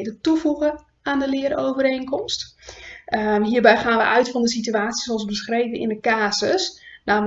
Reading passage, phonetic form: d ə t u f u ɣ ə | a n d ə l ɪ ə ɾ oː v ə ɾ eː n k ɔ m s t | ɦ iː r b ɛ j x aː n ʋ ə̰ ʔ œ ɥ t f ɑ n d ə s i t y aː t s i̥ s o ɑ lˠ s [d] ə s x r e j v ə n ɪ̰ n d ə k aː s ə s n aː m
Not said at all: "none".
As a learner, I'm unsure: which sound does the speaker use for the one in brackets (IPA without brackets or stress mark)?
b